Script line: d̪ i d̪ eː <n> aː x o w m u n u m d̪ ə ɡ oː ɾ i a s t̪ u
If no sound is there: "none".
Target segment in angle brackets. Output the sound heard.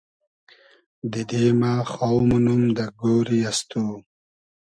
m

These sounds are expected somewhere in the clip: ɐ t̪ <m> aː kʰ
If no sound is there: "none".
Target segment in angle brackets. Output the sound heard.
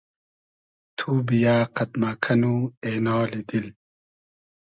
m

